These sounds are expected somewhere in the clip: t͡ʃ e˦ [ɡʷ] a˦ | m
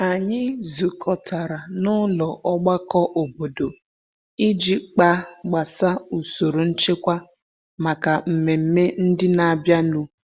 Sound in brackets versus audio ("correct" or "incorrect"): incorrect